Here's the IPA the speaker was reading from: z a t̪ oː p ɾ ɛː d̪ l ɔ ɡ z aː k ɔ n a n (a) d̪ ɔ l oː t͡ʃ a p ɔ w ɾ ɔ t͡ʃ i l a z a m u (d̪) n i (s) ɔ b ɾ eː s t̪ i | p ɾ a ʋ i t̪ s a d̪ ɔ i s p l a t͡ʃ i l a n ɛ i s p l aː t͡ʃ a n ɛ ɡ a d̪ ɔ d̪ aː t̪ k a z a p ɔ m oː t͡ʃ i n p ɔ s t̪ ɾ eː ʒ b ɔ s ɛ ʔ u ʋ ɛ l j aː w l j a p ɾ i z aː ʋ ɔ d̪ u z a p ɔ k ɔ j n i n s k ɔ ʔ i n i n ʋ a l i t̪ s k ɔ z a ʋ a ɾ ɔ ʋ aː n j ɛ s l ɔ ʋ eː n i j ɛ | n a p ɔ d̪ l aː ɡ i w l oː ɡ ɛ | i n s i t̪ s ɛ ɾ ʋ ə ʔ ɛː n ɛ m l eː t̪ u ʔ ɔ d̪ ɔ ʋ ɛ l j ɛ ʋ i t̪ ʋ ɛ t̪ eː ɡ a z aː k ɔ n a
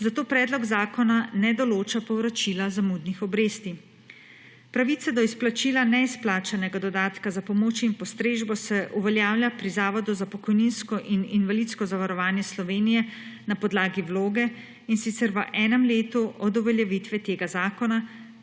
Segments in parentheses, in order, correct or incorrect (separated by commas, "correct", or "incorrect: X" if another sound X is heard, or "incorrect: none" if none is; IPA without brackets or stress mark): incorrect: ɛ, correct, incorrect: x